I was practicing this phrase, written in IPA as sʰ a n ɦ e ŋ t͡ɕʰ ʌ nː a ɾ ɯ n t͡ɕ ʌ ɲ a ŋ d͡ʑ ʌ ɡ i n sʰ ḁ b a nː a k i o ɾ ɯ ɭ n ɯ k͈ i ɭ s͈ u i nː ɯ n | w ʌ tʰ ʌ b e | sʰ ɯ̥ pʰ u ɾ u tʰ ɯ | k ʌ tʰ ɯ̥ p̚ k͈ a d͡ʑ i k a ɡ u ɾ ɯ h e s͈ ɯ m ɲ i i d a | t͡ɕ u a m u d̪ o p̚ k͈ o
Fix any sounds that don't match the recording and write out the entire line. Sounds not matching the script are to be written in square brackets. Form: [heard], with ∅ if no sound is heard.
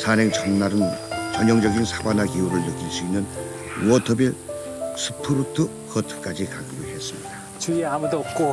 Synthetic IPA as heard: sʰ a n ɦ e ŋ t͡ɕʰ ʌ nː a ɾ ɯ n t͡ɕ ʌ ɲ [ʌ] ŋ d͡ʑ ʌ ɡ i n sʰ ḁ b a [n] a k i [u] ɾ ɯ ɭ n ɯ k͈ i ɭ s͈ u i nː ɯ n | w ʌ tʰ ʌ b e | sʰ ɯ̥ pʰ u ɾ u tʰ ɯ | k ʌ tʰ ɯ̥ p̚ k͈ a d͡ʑ i k a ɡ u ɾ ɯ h e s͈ ɯ m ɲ i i d a | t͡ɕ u a m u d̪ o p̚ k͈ o